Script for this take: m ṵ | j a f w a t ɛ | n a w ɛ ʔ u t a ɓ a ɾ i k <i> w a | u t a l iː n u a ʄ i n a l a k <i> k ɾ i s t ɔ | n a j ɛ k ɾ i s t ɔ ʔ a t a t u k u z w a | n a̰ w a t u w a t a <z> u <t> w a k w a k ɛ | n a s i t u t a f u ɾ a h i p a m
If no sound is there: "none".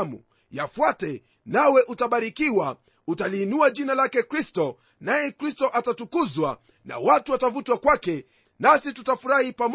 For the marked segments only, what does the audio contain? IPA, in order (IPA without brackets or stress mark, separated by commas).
i, ɛ, v, t